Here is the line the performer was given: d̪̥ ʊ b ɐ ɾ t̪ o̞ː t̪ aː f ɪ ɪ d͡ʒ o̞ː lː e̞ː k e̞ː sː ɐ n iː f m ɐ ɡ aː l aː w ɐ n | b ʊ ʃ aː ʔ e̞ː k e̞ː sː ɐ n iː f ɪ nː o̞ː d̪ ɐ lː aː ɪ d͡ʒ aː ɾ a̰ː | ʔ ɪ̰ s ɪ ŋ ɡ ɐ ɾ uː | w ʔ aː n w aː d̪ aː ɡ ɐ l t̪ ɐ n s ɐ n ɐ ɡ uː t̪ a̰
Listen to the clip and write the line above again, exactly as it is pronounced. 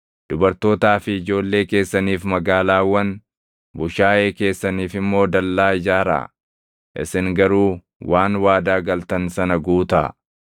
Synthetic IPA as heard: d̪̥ ʊ b ɐ ɾ t̪ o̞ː t̪ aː f ɪ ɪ d͡ʒ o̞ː lː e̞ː k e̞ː sː ɐ n iː f m ɐ ɡ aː l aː w ɐ n | b ʊ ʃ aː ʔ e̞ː k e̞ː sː ɐ n iː f ɪ mː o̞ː d̪ ɐ lː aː ɪ d͡ʒ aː ɾ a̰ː | ʔ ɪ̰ s ɪ ŋ ɡ ɐ ɾ uː | w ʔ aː n w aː d̪ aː ɡ ɐ l t̪ ɐ n s ɐ n ɐ ɡ uː t̪ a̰